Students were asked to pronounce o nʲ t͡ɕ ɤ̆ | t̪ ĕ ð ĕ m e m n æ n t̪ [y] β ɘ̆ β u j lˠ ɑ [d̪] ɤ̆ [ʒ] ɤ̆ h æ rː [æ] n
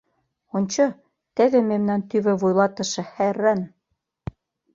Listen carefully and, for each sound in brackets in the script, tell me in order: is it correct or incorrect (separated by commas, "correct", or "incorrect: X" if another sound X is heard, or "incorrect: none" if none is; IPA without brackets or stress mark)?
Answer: correct, incorrect: t̪, incorrect: ʃ, correct